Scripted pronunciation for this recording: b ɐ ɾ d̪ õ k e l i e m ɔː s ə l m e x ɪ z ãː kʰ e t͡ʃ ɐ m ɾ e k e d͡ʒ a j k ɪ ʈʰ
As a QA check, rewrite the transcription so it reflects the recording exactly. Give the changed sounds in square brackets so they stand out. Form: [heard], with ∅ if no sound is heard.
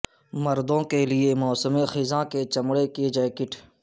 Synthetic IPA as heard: [m] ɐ ɾ d̪ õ k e l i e m ɔː s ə [∅] m e x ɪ z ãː [k] e t͡ʃ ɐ m [ɽ] e k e d͡ʒ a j k ɪ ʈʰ